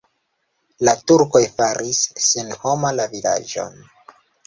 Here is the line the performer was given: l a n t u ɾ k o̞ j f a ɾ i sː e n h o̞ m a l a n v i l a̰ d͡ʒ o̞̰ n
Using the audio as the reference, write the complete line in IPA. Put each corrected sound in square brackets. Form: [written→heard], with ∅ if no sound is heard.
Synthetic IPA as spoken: l a [n→∅] t u ɾ k o̞ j f a ɾ i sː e n h o̞ m a l a [n→∅] v i l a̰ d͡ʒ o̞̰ n